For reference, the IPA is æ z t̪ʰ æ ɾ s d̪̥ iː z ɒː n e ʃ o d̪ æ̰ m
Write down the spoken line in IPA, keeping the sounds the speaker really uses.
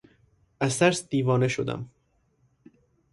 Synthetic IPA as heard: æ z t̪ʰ æ ɾ s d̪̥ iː v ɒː n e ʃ o d̪ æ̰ m